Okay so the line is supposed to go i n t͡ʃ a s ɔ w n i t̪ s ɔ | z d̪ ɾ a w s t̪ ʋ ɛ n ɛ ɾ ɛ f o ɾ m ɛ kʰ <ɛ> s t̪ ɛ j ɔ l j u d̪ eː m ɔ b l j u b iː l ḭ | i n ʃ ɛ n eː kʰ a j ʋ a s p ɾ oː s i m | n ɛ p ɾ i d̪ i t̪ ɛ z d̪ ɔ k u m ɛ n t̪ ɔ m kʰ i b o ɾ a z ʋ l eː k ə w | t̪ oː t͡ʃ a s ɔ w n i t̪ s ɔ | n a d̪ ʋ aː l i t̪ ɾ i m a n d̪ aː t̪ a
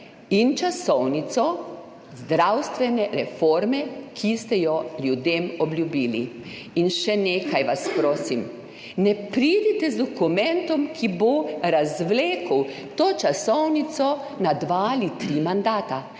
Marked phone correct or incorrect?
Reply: incorrect